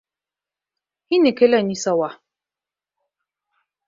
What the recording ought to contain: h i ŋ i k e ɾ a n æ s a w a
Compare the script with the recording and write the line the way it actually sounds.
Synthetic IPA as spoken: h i n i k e l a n i s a w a